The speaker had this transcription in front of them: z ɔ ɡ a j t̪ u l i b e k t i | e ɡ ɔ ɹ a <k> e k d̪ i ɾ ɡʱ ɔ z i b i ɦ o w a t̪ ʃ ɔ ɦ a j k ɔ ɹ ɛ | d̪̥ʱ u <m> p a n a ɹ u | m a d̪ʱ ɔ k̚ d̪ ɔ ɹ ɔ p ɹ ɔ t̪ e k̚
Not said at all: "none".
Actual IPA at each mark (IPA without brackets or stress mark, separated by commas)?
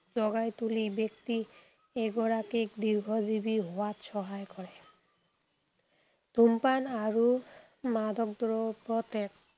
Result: k, m